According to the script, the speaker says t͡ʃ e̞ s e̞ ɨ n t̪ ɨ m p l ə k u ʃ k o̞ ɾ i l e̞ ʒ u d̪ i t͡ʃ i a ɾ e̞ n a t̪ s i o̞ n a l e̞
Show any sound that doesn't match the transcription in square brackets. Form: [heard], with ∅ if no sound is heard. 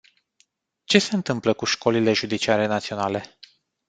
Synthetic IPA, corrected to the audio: t͡ʃ e̞ s e̞ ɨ n t̪ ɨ m p l ə k u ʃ k o̞ [l] i l e̞ ʒ u d̪ i t͡ʃ i a ɾ e̞ n a t̪ s i o̞ n a l e̞